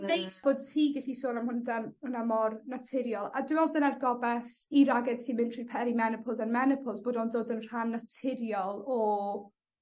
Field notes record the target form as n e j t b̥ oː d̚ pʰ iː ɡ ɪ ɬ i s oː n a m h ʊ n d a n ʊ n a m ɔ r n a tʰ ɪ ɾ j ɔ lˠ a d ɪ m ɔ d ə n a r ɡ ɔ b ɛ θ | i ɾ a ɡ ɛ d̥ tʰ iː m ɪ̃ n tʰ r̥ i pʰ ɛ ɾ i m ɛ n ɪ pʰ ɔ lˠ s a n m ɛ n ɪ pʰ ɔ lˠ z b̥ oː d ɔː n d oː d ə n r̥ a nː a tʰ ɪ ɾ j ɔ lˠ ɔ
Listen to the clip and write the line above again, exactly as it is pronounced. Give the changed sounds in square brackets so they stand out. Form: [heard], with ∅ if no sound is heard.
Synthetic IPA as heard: n e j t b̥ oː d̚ [tʰ] iː ɡ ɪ ɬ i s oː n a m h ʊ n d a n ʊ n a m ɔ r n a tʰ ɪ ɾ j ɔ lˠ a d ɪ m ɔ d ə n a r ɡ ɔ b ɛ θ | i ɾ a ɡ ɛ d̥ tʰ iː m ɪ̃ n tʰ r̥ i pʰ ɛ ɾ i m ɛ n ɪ pʰ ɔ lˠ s a n m ɛ n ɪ pʰ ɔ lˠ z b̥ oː d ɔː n d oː d ə n r̥ a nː a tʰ ɪ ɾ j ɔ lˠ ɔ